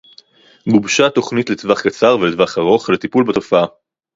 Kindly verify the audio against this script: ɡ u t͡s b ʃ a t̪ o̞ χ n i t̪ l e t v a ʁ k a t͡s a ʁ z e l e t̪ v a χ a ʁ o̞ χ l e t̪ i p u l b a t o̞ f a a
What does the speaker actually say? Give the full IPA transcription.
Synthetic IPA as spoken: ɡ u b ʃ a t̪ o̞ χ n i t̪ l e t v a χ k a t͡s a ʁ v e l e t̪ v a χ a ʁ o̞ χ l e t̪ i p u l b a t o̞ f a a